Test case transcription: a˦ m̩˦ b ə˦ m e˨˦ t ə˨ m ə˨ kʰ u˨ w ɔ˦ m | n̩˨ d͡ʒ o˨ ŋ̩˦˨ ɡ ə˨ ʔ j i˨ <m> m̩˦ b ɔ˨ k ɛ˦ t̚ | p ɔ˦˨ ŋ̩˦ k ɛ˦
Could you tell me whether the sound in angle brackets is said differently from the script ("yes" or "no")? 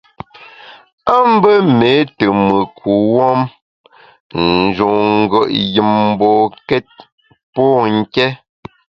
no